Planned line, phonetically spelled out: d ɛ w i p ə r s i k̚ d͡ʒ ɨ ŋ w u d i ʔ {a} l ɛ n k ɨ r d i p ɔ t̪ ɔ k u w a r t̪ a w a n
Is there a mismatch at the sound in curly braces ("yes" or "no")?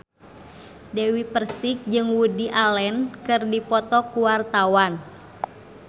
no